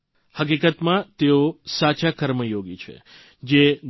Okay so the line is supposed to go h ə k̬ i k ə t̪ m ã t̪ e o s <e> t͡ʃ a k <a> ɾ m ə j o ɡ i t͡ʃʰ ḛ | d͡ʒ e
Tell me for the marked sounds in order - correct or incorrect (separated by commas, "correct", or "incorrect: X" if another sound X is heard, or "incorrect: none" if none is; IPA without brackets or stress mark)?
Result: incorrect: a, incorrect: ə